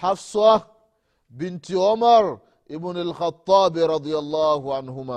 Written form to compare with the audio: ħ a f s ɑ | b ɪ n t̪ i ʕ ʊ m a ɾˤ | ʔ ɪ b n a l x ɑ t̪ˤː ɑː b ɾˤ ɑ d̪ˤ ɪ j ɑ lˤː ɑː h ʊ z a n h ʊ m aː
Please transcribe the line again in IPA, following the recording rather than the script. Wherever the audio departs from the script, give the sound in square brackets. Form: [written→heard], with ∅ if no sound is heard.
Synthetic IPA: ħ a f s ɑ | b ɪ n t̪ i ʕ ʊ m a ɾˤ | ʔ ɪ b n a l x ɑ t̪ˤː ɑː b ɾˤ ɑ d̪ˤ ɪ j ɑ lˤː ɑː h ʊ [z→ʕ] a n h ʊ m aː